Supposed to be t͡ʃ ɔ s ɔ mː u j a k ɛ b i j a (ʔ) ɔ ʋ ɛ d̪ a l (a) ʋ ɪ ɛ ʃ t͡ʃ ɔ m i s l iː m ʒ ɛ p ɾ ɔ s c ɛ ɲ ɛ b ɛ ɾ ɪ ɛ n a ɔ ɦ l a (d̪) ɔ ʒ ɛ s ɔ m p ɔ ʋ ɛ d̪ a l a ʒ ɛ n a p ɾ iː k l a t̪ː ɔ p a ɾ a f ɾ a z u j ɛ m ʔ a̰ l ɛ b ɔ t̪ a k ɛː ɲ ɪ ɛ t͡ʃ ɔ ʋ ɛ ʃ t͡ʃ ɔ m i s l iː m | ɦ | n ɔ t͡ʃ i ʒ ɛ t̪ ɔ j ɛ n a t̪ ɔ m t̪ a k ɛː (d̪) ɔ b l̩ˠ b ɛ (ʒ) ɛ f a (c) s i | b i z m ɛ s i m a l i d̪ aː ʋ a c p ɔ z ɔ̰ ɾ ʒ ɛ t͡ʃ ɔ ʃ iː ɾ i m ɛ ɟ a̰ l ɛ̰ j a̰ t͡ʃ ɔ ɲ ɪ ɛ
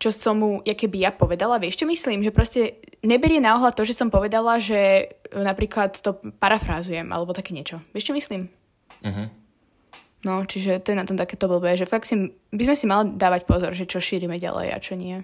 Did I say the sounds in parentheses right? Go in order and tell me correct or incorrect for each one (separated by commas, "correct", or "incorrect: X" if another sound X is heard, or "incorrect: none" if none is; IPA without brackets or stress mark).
incorrect: p, correct, incorrect: t̪, incorrect: t̪, correct, incorrect: k